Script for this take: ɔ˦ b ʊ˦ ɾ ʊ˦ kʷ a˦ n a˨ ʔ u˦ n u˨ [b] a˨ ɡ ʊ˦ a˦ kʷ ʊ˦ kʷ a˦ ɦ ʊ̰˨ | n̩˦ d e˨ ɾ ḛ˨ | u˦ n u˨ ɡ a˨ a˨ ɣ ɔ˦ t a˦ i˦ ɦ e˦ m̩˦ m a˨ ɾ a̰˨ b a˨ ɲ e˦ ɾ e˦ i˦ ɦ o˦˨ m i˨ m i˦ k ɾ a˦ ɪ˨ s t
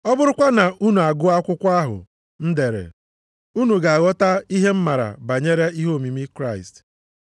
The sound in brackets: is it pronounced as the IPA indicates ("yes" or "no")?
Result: no